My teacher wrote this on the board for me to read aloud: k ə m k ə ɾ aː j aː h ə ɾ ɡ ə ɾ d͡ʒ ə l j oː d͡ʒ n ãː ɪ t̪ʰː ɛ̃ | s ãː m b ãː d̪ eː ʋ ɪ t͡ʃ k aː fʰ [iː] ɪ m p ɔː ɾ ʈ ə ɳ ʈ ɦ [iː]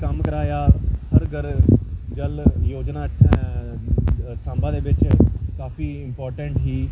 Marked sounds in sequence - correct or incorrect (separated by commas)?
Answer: correct, correct